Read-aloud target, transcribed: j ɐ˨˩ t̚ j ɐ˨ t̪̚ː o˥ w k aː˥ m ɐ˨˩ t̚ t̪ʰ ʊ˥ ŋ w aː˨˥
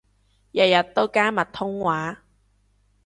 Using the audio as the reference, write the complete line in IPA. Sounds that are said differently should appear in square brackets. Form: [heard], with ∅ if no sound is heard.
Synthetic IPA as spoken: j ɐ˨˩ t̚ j ɐ˨ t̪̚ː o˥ w k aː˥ m ɐ˨˩ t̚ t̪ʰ ʊ˥ ŋ w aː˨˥